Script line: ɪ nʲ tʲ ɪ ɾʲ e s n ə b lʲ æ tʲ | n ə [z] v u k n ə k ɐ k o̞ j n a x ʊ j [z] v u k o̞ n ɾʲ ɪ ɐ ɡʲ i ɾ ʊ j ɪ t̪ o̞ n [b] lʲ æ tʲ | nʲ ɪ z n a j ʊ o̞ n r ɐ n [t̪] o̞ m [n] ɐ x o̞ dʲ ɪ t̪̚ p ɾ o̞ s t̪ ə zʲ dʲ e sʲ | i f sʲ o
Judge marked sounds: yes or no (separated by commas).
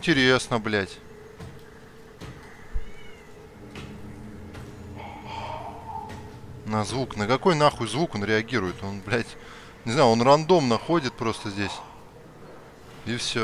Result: yes, yes, yes, no, yes